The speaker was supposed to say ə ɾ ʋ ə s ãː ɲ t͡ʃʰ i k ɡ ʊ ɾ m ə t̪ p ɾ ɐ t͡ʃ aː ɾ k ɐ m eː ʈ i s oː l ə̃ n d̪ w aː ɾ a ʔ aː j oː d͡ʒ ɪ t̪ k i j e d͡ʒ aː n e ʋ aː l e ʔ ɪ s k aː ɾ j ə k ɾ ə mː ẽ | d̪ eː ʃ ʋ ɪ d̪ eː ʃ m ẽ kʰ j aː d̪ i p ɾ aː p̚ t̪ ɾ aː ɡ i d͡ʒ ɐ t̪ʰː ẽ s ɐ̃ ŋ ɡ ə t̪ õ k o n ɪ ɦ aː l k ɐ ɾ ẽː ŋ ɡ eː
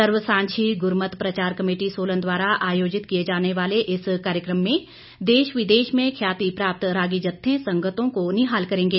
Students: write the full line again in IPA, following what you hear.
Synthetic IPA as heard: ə ɾ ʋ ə s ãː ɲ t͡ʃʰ i ɡ ʊ ɾ m ə t̪ p ɾ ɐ t͡ʃ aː ɾ k ɐ m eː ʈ i s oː l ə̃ n d̪ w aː ɾ a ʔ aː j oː d͡ʒ ɪ t̪ k i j e d͡ʒ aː n e ʋ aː l e ʔ ɪ s k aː ɾ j ə k ɾ ə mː ẽ | d̪ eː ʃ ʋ ɪ d̪ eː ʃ m ẽ kʰ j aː t̪ i p ɾ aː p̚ t̪ ɾ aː ɡ i d͡ʒ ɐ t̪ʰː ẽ s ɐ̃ ŋ ɡ ə t̪ õ k o n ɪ ɦ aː l k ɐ ɾ ẽː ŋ ɡ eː